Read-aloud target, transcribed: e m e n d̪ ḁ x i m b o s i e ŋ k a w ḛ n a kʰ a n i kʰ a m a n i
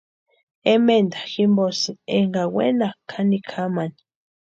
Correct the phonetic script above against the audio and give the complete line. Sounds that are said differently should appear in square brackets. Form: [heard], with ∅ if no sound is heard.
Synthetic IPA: e m e n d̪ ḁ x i m b o s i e ŋ [ɡ] a w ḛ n a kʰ a n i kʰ a m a n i